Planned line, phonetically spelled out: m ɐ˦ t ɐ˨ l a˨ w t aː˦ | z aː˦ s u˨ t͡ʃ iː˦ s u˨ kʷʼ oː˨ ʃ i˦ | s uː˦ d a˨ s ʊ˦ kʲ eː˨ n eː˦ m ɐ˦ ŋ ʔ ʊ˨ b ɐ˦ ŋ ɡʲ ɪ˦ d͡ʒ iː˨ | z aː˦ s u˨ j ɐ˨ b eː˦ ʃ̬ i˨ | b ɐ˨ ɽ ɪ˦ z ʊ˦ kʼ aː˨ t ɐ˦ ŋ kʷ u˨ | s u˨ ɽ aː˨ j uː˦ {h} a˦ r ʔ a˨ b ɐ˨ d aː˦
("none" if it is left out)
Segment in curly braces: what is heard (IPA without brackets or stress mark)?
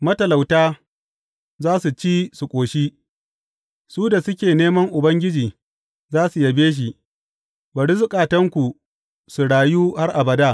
h